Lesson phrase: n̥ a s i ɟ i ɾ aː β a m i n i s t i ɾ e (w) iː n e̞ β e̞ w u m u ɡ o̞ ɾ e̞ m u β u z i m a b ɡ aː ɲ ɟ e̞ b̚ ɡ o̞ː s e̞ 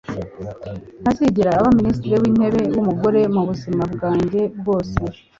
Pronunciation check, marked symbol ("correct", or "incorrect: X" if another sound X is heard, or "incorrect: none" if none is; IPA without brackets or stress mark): correct